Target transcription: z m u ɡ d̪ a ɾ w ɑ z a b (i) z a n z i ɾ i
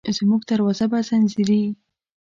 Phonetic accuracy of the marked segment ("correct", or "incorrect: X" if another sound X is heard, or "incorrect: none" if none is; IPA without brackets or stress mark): incorrect: a